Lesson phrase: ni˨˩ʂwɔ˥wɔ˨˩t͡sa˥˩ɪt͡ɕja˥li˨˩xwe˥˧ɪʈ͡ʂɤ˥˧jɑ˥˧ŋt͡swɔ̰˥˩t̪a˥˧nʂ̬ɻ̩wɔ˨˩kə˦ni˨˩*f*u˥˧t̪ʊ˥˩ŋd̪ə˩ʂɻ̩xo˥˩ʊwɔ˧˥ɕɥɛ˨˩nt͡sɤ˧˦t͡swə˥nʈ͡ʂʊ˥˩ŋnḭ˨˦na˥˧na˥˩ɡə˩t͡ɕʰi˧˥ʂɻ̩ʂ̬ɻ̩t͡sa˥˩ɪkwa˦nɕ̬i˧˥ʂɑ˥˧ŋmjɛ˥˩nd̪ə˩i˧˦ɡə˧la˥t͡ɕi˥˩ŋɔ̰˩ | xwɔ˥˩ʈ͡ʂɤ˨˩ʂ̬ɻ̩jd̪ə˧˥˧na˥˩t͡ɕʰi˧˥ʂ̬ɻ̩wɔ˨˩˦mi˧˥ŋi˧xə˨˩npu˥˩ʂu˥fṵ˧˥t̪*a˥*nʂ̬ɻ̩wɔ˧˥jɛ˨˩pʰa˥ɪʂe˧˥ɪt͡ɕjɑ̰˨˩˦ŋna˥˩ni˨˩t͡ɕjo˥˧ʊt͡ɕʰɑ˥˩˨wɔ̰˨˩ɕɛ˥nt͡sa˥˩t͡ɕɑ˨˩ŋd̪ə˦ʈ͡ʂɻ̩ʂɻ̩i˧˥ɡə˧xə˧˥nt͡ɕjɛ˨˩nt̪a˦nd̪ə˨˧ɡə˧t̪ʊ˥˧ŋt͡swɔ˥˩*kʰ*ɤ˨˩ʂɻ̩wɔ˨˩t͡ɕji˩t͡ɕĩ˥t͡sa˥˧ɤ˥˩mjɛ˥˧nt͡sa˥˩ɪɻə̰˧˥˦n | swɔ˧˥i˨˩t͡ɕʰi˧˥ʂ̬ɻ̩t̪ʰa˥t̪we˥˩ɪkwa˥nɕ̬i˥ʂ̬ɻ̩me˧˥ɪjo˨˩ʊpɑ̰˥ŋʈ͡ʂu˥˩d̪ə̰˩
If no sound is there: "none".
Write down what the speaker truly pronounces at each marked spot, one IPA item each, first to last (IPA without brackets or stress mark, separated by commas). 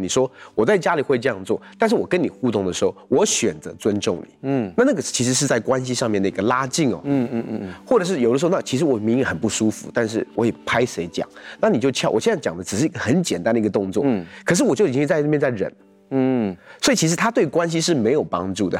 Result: x, a˥˧, kʰ